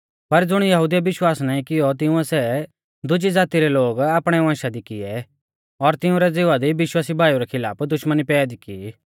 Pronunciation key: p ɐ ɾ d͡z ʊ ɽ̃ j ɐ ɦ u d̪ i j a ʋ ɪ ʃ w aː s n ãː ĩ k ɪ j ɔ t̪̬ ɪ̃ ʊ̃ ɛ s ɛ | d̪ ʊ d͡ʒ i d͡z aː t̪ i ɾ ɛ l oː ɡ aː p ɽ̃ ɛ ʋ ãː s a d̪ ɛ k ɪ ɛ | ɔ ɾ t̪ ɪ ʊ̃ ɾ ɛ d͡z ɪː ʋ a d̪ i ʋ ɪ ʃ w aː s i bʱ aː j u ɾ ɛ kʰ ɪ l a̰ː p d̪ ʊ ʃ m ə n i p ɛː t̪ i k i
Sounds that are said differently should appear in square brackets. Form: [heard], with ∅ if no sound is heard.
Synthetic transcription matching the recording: p ɐ ɾ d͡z ʊ ɽ̃ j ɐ ɦ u d̪ i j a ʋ ɪ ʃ w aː s n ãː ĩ k ɪ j ɔ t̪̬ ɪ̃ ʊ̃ ɛ s ɛ | d̪ ʊ d͡ʒ i d͡z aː t̪ i ɾ ɛ l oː ɡ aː p ɽ̃ ɛ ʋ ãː [ʃ] a d̪ [i] k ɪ ɛ | ɔ ɾ t̪ ɪ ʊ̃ ɾ ɛ d͡z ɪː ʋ a d̪ i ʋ ɪ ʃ w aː s i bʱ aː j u ɾ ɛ kʰ ɪ l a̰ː p d̪ ʊ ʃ m ə n i p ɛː [d̪] i k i